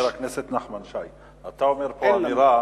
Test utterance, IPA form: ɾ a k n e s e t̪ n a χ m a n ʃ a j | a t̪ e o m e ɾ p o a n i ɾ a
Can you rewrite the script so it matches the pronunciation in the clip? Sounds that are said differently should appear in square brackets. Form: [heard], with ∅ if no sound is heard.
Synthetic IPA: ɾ a k n e s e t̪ n a χ m a n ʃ a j | a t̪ [a] o m e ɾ p o a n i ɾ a